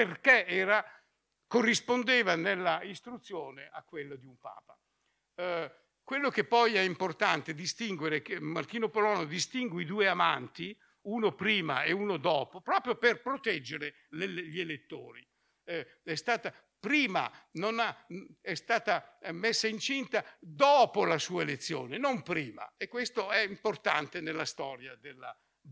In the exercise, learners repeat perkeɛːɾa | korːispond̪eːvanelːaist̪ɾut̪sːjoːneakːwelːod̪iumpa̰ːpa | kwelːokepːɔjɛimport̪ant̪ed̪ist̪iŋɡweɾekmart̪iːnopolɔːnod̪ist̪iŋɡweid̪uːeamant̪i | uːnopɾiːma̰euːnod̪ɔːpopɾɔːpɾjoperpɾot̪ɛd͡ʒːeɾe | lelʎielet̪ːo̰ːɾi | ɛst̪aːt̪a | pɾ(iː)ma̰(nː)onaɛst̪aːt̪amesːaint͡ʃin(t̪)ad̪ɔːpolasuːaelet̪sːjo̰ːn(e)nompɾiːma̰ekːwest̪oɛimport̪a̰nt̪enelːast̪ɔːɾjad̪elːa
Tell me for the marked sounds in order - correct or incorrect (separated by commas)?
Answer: correct, incorrect, correct, correct